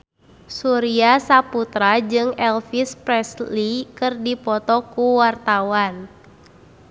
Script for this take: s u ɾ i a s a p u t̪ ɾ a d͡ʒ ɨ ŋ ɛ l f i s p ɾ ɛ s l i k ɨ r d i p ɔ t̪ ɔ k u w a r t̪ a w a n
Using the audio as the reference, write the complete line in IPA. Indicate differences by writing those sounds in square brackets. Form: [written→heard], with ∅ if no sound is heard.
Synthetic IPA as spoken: s u ɾ i a s a p u t̪ ɾ a d͡ʒ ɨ ŋ ɛ l f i s p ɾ ɛ s l i k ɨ r d i p ɔ t̪ ɔ k u w a r t̪ a w a n